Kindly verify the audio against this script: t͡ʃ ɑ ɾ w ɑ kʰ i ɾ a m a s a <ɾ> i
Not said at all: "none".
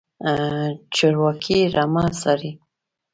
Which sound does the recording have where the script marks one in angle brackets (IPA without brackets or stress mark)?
ɾ